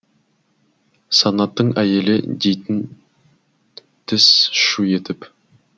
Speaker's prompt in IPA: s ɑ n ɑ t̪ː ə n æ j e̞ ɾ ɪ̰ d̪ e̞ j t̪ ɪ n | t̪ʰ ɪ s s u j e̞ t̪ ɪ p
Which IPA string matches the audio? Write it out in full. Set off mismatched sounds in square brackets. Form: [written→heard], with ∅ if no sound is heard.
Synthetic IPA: s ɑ n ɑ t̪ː ə [n→ɴ] æ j e̞ [ɾ→l] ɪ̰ d̪ e̞ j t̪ ɪ n | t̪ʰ ɪ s [s→ʃ] u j e̞ t̪ ɪ p